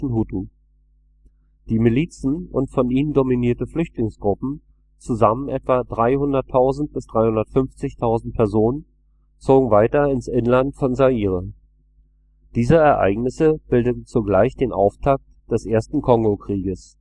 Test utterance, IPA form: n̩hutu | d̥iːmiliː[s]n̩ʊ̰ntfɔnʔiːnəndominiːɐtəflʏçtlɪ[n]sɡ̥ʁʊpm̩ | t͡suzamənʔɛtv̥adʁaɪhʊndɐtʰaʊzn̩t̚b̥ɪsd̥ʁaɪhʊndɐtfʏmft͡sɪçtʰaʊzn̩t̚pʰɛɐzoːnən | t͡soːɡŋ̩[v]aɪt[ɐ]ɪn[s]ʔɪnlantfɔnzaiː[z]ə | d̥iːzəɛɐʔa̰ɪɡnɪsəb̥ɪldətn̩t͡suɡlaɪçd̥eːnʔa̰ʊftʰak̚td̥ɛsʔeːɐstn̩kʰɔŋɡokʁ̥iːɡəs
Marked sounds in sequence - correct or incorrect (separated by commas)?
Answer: incorrect, incorrect, correct, correct, correct, incorrect